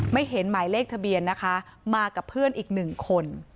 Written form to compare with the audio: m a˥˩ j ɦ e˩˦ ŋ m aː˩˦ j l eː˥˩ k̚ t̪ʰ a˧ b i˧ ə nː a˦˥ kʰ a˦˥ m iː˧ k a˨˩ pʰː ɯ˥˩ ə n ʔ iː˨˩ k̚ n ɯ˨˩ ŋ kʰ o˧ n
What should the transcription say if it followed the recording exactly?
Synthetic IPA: m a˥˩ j ɦ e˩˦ n m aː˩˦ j l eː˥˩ k̚ t̪ʰ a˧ b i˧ ə nː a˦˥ kʰ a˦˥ m aː˧ k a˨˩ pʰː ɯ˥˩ ə n ʔ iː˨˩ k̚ n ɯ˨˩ ŋ kʰ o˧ n